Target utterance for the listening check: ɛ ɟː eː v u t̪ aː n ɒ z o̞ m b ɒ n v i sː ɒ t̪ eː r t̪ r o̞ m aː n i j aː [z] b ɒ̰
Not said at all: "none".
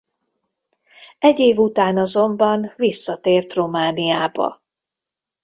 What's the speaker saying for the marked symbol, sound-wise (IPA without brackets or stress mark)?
none